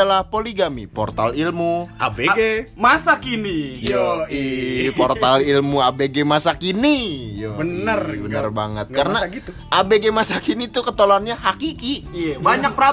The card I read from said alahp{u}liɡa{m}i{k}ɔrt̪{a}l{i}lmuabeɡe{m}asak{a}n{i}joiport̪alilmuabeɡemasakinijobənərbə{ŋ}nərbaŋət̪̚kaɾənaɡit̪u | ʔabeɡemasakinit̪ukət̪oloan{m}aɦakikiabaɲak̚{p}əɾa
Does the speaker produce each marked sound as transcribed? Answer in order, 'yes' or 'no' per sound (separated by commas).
no, yes, no, yes, yes, yes, no, yes, no, no, yes